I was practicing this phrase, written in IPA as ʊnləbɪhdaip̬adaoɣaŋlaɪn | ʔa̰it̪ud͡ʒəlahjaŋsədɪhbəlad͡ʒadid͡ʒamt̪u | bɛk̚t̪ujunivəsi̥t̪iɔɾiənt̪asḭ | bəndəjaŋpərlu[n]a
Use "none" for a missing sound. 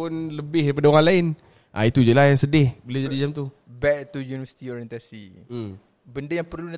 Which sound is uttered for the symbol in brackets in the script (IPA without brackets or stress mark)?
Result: n